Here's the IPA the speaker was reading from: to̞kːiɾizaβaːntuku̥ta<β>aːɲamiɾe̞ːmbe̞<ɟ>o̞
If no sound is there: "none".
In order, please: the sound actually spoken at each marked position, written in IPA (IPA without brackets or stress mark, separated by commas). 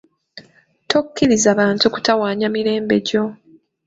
w, ɟ